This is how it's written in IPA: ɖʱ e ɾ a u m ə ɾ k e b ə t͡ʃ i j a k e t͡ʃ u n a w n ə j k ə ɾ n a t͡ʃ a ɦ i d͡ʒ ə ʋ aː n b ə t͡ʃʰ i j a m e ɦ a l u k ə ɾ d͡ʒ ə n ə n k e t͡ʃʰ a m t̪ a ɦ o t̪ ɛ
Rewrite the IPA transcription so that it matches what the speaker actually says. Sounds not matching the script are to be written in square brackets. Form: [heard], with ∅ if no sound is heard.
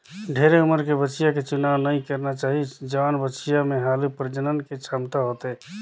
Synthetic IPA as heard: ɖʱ e ɾ [e] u m ə ɾ k e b ə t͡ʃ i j a k e t͡ʃ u n a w n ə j k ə ɾ n a t͡ʃ a ɦ i d͡ʒ ə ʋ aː n b ə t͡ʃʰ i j a m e ɦ a l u [p] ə ɾ d͡ʒ ə n ə n k e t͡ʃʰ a m t̪ a ɦ o t̪ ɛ